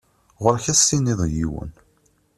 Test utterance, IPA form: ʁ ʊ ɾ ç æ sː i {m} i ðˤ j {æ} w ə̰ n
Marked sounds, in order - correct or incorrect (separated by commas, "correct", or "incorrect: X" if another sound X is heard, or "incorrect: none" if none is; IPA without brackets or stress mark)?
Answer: incorrect: n, incorrect: i